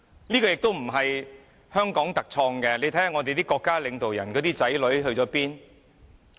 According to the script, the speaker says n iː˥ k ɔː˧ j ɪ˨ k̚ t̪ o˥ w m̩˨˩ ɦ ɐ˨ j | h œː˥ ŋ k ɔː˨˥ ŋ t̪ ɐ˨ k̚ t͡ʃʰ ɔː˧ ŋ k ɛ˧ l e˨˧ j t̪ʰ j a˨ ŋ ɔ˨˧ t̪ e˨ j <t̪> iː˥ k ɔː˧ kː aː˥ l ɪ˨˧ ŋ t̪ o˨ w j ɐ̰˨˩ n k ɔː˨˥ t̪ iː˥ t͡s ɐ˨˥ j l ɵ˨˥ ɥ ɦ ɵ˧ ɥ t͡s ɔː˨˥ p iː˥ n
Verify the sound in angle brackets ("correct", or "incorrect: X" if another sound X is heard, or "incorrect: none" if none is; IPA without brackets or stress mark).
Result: correct